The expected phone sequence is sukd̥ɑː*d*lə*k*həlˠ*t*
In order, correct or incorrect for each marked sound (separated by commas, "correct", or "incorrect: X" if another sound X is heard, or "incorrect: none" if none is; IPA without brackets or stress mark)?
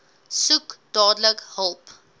correct, correct, incorrect: p